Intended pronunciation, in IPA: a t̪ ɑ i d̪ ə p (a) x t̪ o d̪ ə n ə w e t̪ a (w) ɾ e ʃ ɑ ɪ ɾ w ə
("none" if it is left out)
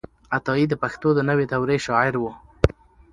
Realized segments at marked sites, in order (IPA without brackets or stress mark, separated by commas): a, w